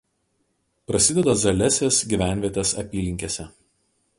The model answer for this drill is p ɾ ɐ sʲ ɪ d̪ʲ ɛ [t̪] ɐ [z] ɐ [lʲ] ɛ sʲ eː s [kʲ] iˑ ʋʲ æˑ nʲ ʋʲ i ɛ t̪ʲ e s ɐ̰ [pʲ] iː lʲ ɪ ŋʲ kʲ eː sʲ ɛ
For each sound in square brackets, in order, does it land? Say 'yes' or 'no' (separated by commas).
no, yes, yes, no, yes